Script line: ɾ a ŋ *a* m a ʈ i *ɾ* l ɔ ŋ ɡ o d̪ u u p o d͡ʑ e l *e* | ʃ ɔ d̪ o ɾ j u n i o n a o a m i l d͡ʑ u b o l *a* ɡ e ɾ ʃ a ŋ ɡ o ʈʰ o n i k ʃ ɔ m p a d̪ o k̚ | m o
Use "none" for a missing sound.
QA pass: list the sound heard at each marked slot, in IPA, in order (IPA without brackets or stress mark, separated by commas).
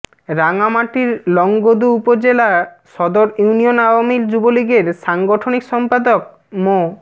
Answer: a, ɾ, a, i